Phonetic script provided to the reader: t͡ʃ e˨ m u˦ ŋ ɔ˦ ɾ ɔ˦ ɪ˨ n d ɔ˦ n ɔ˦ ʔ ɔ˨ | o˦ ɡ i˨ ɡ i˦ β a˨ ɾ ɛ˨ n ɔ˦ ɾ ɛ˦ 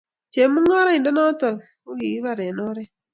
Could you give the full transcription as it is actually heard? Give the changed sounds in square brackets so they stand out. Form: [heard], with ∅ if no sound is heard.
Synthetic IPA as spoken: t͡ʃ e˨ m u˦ ŋ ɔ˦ ɾ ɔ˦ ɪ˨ n d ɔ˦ n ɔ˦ [t] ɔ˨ | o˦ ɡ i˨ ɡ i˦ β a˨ ɾ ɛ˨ n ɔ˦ ɾ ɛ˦